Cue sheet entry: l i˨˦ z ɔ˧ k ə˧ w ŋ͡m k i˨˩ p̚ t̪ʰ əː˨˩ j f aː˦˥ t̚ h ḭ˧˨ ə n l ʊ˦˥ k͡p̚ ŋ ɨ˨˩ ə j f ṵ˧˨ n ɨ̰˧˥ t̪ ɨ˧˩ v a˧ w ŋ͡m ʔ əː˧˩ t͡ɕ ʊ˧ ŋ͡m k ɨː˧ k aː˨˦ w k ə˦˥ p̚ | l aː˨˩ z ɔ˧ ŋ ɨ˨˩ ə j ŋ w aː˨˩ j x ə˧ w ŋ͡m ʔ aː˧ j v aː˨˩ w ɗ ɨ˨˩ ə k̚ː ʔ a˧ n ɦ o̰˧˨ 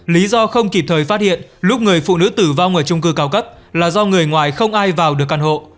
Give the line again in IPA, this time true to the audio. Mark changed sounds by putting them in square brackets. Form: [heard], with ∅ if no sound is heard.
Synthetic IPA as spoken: l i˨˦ z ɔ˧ [x] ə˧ w ŋ͡m k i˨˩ p̚ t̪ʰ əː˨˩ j f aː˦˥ t̚ h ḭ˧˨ ə n l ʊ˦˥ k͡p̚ ŋ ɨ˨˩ ə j f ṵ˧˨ n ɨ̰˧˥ t̪ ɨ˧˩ v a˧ w ŋ͡m ʔ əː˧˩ t͡ɕ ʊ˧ ŋ͡m k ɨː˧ k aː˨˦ w k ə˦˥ p̚ | l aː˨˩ z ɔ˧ ŋ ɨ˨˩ ə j ŋ w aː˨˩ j x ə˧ w ŋ͡m ʔ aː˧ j v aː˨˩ w ɗ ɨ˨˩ ə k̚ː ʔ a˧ n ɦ o̰˧˨